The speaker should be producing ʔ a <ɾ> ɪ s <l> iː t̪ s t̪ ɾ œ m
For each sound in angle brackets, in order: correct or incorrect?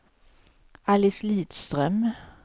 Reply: incorrect: l, correct

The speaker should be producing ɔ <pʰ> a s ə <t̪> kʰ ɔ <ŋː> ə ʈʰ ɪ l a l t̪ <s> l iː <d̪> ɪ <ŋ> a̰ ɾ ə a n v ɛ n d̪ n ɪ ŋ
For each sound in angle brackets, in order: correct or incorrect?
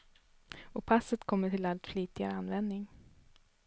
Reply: correct, correct, incorrect: mː, incorrect: f, incorrect: t̪, incorrect: ɡ

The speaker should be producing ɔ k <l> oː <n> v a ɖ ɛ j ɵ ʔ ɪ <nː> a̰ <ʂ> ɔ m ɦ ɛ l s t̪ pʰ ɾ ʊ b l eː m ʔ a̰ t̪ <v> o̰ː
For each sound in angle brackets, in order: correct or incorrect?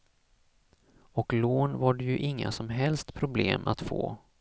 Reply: correct, correct, incorrect: ŋː, incorrect: s, incorrect: f

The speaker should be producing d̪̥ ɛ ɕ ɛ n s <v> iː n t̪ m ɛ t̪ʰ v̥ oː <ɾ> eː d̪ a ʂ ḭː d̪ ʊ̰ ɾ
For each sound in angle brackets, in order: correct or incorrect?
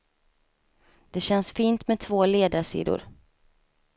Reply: incorrect: f, incorrect: l

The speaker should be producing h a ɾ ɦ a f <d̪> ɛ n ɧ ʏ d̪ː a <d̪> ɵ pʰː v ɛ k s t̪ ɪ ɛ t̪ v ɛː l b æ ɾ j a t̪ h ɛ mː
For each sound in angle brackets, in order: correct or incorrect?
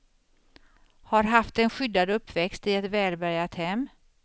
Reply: incorrect: t̪, correct

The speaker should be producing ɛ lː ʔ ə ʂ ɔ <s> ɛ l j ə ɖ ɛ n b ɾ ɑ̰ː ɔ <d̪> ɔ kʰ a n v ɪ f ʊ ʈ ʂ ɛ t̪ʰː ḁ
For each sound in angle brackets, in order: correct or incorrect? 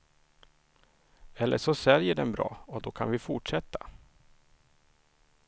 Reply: correct, correct

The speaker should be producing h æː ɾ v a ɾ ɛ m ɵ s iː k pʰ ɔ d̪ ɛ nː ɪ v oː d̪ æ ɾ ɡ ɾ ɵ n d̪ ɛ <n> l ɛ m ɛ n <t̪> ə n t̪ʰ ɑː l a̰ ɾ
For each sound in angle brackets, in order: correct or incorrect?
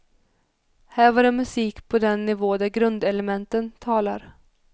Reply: incorrect: none, correct

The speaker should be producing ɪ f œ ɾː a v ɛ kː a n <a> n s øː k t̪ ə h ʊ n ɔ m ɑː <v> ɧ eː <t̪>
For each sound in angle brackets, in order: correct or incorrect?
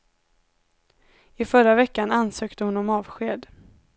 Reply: correct, correct, incorrect: d̪

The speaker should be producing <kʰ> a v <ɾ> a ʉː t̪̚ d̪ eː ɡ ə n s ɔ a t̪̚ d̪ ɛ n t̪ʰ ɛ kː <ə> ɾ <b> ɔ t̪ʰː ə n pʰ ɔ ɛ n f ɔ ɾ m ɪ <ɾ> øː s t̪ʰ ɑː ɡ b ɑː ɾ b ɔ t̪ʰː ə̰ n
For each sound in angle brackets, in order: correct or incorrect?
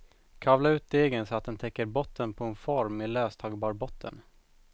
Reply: correct, incorrect: l, correct, correct, incorrect: l

